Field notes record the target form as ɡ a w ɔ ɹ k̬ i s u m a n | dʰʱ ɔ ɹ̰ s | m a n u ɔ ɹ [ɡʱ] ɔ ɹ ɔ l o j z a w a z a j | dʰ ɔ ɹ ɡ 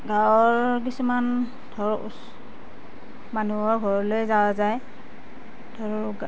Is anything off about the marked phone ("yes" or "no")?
no